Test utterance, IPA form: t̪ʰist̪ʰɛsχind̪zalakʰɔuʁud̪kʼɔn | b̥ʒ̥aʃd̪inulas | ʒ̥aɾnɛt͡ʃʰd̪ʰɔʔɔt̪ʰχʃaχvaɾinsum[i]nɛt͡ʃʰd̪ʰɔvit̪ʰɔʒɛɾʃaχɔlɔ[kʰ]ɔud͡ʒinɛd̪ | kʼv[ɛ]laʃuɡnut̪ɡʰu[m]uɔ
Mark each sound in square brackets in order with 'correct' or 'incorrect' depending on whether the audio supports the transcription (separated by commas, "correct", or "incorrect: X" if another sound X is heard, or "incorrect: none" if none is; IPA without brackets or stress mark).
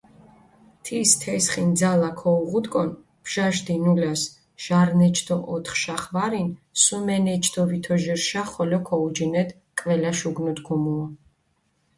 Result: incorrect: ɛ, correct, correct, correct